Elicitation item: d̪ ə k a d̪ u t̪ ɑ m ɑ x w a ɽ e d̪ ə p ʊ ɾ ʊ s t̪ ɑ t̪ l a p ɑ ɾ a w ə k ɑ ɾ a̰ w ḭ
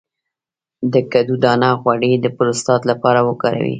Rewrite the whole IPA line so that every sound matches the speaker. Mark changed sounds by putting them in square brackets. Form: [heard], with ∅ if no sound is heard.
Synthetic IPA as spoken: d̪ ə k a d̪ u [d̪] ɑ [n] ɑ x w a ɽ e d̪ ə p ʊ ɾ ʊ s t̪ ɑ t̪ l a p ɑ ɾ a w ə k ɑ ɾ a̰ w ḭ